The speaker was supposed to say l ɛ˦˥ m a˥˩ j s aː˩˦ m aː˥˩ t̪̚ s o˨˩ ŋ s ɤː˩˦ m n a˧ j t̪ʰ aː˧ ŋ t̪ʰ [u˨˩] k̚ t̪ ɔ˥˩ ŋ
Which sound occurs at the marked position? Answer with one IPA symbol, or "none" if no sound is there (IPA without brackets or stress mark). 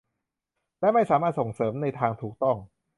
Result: uː˨˩